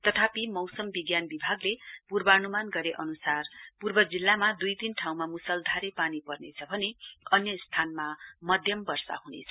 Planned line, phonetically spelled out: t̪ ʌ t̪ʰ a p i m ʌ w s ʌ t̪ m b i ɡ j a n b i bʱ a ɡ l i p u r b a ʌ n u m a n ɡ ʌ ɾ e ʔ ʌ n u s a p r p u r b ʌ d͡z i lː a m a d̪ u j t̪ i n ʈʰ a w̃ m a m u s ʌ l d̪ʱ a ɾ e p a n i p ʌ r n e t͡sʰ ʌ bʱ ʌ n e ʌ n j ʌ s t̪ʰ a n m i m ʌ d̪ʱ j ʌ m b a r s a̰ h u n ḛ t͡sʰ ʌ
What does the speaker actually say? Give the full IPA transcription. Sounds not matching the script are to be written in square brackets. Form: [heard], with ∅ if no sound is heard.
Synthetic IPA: t̪ ʌ t̪ʰ a p i m ʌ w s ʌ [∅] m b i ɡ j a n b i bʱ a ɡ l [e] p u r b [ʌ] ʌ n u m a n ɡ ʌ ɾ e ʔ ʌ n u s a [∅] r p u r b ʌ d͡z i lː a m a d̪ u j t̪ i n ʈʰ a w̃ m a m u s ʌ l d̪ʱ a ɾ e p a n i p ʌ r n e t͡sʰ ʌ bʱ ʌ n e ʌ n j ʌ s t̪ʰ a n m [a] m ʌ d̪ʱ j ʌ m b [ʌ] r s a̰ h u n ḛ t͡sʰ ʌ